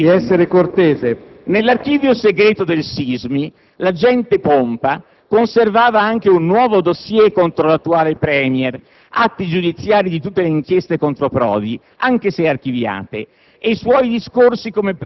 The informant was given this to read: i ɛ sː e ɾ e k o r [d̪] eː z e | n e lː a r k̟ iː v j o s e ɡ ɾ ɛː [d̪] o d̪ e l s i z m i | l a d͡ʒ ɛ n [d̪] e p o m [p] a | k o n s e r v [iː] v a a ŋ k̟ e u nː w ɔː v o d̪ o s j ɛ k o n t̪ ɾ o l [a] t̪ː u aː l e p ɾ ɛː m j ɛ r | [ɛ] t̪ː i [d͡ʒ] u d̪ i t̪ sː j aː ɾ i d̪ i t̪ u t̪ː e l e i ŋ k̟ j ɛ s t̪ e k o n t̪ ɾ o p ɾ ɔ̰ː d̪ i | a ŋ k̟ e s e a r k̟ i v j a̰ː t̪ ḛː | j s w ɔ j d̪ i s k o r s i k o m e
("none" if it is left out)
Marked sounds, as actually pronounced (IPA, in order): t̪, t̪, t̪, p, aː, a, a, d͡ʒ

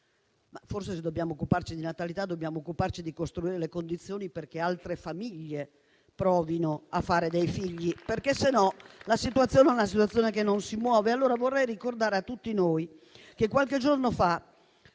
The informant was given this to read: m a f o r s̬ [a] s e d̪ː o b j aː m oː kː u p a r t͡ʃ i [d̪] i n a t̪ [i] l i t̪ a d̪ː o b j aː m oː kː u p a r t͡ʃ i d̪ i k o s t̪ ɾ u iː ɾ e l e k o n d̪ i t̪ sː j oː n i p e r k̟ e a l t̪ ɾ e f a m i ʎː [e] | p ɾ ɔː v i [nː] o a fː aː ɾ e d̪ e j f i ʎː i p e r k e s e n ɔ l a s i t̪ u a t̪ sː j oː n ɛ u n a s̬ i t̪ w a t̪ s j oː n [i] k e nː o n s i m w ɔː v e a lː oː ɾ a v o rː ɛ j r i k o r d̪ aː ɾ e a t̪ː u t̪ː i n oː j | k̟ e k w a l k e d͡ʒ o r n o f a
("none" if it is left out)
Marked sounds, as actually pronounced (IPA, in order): e, d̪, a, e, n, e

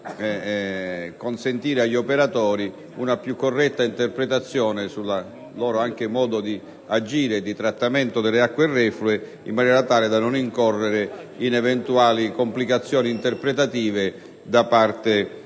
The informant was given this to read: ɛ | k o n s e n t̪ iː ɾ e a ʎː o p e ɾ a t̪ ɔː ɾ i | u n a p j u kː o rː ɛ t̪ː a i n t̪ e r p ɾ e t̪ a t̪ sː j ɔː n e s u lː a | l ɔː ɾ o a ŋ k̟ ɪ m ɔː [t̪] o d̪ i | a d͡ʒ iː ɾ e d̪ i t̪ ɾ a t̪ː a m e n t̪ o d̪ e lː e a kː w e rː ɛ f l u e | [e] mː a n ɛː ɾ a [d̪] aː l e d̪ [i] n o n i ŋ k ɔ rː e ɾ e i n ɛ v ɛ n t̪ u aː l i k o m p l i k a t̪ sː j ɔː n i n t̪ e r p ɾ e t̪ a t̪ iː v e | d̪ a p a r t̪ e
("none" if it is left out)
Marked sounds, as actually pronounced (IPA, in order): d̪, i, t̪, a

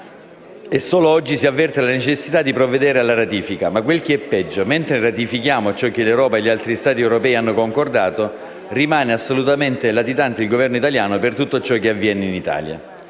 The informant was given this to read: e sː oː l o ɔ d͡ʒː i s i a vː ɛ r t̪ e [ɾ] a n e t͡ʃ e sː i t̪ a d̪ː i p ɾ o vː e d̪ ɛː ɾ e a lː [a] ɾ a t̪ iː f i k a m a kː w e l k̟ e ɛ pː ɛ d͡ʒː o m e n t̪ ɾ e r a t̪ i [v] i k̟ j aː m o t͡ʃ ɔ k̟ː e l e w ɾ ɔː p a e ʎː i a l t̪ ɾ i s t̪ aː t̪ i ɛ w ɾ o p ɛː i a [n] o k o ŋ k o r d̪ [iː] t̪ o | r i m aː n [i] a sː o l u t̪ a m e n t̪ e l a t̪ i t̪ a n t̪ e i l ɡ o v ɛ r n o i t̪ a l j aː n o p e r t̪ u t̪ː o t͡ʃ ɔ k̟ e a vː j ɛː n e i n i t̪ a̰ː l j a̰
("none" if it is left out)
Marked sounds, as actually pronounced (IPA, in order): l, a, f, nː, aː, e

